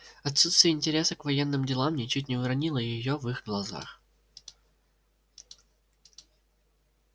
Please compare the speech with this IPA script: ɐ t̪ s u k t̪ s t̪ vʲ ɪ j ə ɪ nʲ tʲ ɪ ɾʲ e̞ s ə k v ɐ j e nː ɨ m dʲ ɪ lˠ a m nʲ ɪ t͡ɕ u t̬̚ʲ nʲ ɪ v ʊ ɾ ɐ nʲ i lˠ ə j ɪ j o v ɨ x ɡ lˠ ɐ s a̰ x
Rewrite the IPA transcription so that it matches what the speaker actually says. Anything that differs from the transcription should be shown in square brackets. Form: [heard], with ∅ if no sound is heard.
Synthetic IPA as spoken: ɐ t̪ s u [∅] t̪ s t̪ vʲ ɪ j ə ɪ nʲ tʲ ɪ ɾʲ e̞ s ə k v ɐ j e nː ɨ m dʲ ɪ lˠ a m nʲ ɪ t͡ɕ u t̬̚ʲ nʲ ɪ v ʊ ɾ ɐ nʲ i lˠ ə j ɪ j o v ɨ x ɡ lˠ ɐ [z] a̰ x